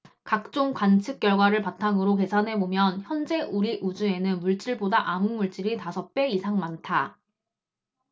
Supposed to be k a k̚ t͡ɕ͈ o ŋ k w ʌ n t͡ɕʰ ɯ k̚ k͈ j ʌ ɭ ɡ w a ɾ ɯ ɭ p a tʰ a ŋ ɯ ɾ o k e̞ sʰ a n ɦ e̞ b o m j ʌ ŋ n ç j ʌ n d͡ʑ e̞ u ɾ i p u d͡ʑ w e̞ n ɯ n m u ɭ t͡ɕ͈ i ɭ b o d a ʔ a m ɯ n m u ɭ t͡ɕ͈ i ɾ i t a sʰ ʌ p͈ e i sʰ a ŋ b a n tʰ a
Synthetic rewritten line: k a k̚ t͡ɕ͈ o ŋ k w a n t͡ɕʰ ɯ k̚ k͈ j ʌ ɭ ɡ w a ɾ ɯ ɭ p a tʰ a ŋ ɯ ɾ o k e̞ sʰ a n ɦ e̞ b o m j ʌ n ç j ʌ n d͡ʑ e̞ u ɾ i ʔ u d͡ʑ u e̞ n ɯ n m u ɭ t͡ɕ͈ i ɭ b o d a ʔ a m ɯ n m u ɭ t͡ɕ͈ i ɾ i t a sʰ ʌ p͈ e i sʰ a ŋ m a n tʰ a